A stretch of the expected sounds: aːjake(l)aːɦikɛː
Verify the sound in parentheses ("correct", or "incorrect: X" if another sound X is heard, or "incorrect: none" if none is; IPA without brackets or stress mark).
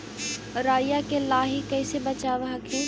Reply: correct